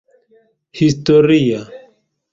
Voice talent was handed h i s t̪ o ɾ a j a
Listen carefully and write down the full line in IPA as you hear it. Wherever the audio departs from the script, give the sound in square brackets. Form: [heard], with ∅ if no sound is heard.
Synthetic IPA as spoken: h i s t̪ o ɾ [i] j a